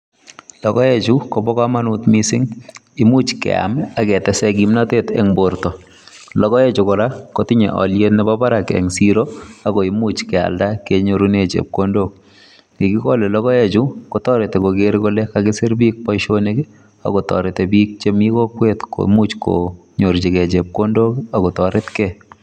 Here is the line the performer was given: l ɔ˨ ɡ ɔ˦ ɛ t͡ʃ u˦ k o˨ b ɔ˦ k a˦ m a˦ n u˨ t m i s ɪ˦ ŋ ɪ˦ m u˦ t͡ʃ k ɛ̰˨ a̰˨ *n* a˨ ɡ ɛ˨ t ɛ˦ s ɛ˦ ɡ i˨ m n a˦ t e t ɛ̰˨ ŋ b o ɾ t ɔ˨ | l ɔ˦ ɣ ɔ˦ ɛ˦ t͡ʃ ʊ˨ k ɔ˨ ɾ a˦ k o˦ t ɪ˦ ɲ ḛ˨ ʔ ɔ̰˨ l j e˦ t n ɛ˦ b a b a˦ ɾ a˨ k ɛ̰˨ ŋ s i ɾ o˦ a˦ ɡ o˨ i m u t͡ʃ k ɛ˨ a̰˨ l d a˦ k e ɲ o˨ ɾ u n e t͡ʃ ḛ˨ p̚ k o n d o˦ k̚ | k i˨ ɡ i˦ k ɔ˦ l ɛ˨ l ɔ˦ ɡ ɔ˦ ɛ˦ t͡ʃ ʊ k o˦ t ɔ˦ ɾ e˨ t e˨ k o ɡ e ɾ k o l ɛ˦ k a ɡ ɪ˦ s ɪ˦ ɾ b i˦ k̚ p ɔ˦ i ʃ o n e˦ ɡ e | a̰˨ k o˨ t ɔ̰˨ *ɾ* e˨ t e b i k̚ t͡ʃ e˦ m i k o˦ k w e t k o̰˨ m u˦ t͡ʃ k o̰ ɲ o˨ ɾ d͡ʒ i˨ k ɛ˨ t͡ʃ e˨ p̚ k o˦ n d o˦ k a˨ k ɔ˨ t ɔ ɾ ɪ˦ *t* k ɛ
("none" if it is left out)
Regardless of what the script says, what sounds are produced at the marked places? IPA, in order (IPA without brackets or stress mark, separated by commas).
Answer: m, ɾ, t